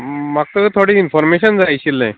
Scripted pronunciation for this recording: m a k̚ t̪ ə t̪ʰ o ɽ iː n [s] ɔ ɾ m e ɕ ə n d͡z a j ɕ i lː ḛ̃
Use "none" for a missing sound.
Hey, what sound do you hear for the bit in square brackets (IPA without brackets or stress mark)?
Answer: f